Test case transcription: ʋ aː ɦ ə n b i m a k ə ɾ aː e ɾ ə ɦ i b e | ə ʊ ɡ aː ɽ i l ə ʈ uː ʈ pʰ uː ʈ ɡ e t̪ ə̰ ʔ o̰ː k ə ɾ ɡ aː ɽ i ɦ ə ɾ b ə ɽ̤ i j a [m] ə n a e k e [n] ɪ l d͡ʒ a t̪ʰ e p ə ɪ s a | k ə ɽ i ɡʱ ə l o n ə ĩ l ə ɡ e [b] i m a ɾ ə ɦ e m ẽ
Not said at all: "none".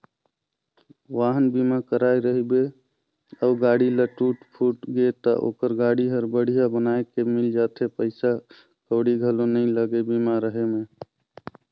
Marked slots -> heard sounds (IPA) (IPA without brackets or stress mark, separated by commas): b, m, b